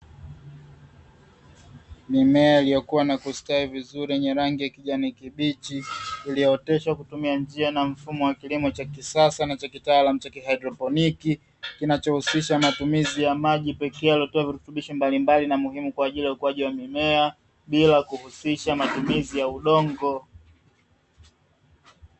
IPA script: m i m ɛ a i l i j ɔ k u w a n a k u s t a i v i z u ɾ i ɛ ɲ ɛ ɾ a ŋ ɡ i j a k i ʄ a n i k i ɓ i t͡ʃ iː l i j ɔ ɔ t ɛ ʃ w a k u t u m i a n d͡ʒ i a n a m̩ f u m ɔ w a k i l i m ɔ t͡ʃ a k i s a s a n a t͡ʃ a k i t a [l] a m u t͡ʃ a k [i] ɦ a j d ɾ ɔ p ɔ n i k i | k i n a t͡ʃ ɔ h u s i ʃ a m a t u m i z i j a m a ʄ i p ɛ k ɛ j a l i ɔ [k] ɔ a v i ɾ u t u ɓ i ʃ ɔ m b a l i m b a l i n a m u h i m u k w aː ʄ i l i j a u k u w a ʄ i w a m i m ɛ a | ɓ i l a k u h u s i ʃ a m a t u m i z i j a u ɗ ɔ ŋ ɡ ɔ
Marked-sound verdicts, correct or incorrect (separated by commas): correct, correct, incorrect